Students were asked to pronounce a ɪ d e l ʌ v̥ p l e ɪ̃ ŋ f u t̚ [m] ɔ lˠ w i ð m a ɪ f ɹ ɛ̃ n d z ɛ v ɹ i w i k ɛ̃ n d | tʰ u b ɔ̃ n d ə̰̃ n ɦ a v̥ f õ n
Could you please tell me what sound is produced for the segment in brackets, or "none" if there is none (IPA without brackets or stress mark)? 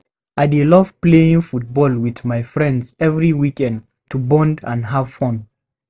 b